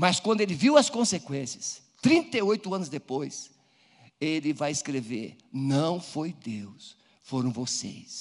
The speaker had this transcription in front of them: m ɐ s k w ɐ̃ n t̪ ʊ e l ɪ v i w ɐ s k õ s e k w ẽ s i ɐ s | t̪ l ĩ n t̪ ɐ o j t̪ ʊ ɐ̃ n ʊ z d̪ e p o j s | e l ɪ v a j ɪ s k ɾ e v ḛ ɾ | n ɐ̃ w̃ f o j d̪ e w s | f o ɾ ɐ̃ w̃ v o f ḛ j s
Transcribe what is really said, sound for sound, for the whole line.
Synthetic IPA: m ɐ s k w ɐ̃ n d̪ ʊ e l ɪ v i w ɐ s k õ s e k w ẽ s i ɐ s | t̪ ɾ ĩ n t̪ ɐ o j t̪ ʊ ɐ̃ n ʊ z d̪ e p o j s | e l ɪ v a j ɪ s k ɾ e v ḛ ɾ | n ɐ̃ w̃ f o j d̪ e w s | f o ɾ ɐ̃ w̃ v o s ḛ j s